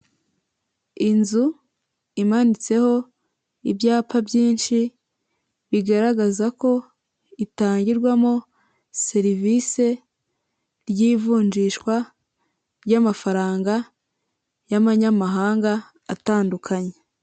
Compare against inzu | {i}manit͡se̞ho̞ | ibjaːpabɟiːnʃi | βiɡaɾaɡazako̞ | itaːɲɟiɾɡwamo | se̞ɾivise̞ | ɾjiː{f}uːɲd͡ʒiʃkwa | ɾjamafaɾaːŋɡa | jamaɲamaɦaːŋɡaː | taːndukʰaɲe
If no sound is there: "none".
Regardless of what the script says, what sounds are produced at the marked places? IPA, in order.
i, v

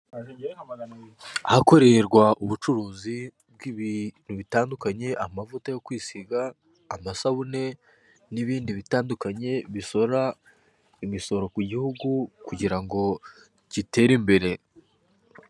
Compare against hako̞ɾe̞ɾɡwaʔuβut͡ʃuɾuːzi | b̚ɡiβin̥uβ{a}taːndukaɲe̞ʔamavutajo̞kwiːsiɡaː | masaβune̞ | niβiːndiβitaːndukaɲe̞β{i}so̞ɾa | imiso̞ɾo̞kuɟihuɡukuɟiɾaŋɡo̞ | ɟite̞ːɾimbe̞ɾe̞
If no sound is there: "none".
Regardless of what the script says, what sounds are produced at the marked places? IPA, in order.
i, i

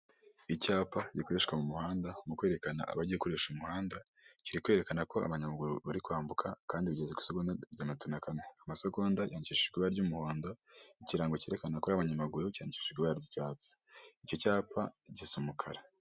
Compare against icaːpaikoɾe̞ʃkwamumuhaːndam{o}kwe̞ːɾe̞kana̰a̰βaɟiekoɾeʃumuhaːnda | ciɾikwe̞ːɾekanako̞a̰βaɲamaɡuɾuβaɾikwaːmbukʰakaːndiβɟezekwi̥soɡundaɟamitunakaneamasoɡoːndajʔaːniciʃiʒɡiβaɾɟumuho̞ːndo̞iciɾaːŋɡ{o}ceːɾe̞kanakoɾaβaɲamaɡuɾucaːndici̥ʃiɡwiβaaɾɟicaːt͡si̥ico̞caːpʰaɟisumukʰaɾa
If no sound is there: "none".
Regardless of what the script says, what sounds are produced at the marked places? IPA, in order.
u, o

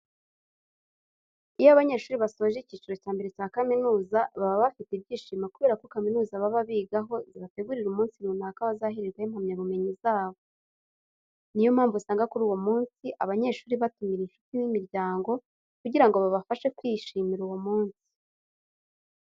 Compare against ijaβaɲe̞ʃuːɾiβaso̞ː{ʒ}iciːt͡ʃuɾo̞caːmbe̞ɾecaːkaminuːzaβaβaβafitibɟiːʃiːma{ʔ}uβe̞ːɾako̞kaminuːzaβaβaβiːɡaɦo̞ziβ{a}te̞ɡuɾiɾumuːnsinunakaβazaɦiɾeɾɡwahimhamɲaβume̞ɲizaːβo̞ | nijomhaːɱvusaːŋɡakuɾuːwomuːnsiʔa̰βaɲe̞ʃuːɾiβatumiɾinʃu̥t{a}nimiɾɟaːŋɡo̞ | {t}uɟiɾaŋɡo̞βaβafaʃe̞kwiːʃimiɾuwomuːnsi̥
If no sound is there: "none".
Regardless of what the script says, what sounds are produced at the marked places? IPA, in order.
ʒ, k, a, i, k

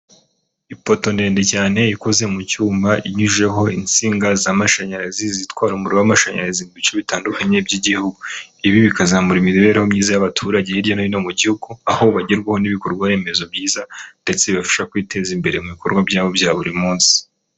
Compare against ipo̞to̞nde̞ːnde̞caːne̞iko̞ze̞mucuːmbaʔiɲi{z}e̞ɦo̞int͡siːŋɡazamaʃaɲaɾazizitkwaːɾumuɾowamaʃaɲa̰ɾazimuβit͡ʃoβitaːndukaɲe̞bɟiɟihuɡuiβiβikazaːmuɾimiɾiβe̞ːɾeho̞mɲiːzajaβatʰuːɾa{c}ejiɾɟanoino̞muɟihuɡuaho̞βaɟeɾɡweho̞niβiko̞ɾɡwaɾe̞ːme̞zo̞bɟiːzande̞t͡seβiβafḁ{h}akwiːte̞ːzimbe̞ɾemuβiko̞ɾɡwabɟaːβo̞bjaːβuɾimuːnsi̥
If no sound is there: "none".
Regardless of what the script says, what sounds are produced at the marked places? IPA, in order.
ʒ, ɟ, ʃ

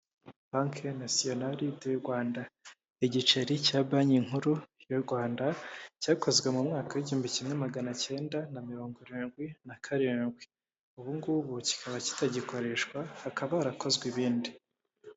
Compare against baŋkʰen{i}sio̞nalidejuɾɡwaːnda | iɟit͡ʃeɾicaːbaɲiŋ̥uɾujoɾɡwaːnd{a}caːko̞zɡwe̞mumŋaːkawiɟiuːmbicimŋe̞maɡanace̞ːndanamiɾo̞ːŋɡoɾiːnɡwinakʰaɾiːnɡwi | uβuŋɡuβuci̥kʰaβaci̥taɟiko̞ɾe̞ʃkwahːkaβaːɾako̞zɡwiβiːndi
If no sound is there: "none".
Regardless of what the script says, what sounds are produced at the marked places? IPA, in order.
a, a

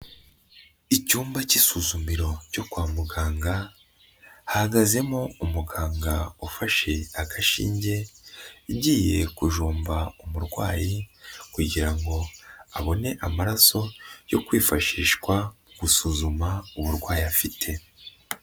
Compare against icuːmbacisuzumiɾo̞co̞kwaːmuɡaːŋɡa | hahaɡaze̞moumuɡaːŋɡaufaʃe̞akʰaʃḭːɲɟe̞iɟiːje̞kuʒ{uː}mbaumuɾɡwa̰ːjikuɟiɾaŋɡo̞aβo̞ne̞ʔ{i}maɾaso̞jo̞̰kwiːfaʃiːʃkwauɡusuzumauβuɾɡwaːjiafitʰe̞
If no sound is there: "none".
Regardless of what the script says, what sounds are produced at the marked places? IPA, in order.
uː, a

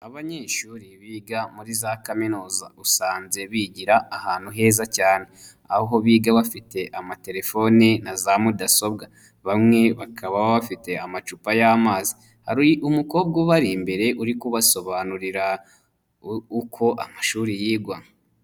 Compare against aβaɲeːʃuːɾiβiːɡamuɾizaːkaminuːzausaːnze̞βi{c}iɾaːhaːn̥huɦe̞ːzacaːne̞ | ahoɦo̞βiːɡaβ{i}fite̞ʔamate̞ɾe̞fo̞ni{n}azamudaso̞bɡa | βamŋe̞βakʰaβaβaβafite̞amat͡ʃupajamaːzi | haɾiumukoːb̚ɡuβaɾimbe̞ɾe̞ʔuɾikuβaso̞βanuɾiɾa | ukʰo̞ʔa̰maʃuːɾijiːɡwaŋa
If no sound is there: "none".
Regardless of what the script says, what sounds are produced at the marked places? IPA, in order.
ɟ, a, n

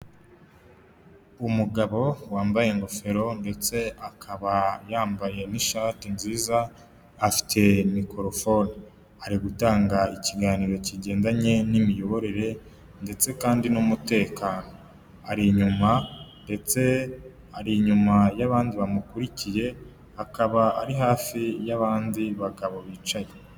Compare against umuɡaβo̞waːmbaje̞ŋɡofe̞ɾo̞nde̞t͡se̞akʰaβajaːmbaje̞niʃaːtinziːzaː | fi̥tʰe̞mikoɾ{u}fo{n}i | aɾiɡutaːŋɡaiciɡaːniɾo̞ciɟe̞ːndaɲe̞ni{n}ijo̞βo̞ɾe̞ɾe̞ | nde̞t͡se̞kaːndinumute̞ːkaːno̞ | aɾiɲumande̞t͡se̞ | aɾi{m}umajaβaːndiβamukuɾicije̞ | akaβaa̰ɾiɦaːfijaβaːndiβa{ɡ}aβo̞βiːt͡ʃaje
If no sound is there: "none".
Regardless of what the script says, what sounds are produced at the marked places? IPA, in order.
o, n, m, ɲ, ɡ

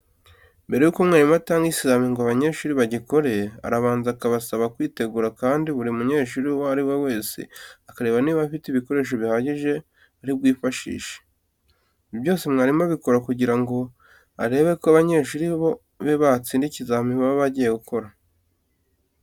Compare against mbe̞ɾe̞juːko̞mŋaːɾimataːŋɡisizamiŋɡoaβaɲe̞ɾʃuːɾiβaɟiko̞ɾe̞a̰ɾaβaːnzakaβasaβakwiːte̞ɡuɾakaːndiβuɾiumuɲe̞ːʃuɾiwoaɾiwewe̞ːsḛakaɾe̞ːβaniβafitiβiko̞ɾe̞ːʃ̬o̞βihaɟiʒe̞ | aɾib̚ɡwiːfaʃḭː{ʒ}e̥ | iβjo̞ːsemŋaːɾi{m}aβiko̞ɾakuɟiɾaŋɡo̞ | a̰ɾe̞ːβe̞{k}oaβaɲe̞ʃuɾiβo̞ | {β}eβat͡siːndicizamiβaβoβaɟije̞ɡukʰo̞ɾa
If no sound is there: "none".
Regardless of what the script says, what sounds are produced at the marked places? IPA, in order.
ʃ, m, k, β

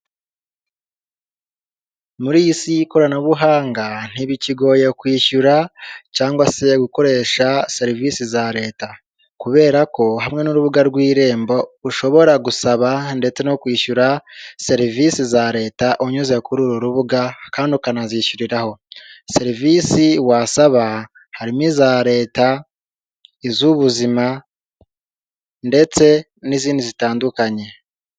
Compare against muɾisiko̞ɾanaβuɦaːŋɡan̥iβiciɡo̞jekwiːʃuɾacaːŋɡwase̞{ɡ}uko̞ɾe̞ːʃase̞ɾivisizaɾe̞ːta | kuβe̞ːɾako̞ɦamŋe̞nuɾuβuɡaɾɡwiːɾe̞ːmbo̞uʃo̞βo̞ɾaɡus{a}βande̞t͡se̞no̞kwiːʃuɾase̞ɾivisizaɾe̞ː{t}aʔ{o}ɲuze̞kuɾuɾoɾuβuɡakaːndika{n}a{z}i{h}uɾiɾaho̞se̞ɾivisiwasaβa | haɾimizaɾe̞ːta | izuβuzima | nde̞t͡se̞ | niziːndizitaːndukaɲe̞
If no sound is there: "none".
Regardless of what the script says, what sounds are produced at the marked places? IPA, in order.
ɡ, a, t, o, n, z, ʃ

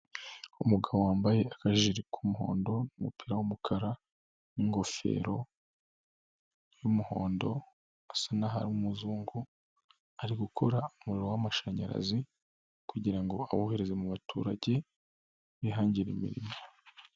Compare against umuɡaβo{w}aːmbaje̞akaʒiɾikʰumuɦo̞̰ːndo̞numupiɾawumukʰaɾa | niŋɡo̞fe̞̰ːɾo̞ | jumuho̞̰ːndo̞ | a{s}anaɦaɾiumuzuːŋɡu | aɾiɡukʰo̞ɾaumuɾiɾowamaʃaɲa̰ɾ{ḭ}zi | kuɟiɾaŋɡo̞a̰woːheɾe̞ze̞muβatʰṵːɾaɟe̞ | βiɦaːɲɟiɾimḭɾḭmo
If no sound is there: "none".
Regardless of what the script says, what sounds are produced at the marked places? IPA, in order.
w, s, a̰

